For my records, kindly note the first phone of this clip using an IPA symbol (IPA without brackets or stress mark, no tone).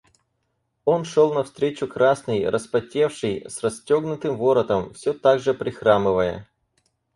o̞